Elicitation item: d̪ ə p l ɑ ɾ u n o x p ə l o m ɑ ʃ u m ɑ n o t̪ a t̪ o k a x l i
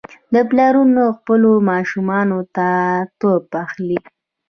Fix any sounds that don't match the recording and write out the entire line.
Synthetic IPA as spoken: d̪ ə p l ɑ ɾ u n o x p ə l o m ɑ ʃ u m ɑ n o t̪ a t̪ o p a x l i